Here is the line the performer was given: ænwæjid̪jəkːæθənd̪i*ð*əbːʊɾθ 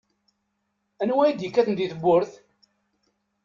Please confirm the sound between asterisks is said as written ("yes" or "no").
no